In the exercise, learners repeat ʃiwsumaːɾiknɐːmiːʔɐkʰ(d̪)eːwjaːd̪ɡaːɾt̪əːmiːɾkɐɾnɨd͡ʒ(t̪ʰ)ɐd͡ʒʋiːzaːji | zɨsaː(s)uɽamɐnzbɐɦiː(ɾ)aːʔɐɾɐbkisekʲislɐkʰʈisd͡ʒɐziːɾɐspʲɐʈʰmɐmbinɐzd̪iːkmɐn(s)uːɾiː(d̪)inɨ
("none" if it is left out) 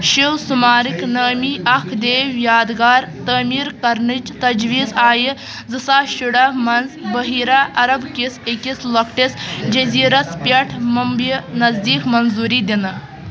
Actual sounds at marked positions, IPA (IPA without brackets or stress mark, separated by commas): d̪, t̪, ʃ, ɾ, z, d̪